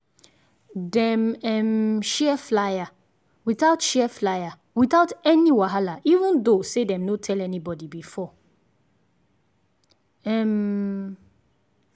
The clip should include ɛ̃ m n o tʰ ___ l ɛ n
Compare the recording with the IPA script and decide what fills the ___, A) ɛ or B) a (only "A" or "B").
A